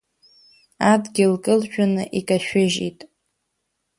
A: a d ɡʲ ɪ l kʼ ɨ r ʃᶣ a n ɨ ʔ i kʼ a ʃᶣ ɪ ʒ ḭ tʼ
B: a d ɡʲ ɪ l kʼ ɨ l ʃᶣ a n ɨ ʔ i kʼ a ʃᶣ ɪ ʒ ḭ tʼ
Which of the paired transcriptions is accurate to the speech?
B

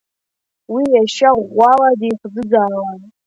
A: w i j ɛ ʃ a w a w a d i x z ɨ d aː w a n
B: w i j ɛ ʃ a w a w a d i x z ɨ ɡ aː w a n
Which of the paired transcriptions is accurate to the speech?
B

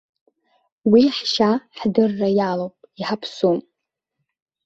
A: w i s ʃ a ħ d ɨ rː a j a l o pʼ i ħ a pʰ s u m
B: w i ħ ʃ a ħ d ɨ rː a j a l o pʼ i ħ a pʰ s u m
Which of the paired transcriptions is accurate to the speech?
B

